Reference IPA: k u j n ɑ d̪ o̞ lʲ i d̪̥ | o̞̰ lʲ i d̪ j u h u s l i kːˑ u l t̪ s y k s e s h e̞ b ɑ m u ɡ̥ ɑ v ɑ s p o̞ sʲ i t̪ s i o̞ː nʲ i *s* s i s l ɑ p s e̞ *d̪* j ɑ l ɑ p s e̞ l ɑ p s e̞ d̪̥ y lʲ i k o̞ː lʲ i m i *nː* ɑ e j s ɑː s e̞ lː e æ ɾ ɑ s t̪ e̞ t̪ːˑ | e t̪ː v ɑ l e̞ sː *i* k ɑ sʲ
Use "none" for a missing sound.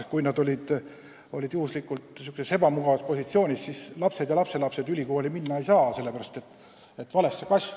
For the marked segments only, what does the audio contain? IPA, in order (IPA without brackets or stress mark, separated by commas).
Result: s, d̪, nː, e